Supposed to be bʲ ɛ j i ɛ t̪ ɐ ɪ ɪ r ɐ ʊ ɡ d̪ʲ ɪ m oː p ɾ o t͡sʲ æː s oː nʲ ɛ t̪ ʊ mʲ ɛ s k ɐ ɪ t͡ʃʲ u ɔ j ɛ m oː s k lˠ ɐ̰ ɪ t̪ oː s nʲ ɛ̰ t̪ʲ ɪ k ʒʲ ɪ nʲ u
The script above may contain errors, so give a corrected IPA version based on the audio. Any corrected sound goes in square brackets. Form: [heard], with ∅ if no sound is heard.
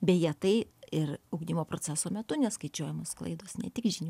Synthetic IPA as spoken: bʲ ɛ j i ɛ t̪ ɐ ɪ ɪ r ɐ ʊ ɡ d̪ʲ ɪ m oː p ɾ o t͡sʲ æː s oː [mʲ] ɛ t̪ ʊ [nʲ] ɛ s k ɐ ɪ t͡ʃʲ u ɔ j ɛ m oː s k lˠ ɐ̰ ɪ [d̪] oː s nʲ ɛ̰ t̪ʲ ɪ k ʒʲ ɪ nʲ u